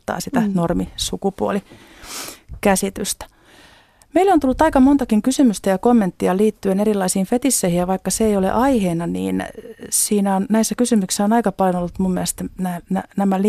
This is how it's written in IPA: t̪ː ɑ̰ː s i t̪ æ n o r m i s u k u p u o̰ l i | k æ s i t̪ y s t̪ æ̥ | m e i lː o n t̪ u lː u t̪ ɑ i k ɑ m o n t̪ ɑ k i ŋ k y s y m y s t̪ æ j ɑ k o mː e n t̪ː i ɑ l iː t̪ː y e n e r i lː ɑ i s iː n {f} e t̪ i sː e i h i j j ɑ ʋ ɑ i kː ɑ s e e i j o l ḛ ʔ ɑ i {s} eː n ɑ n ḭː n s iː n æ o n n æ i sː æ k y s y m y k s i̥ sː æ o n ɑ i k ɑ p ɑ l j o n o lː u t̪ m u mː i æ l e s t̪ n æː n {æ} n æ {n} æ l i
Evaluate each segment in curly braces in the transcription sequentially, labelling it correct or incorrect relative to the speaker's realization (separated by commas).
correct, incorrect, correct, incorrect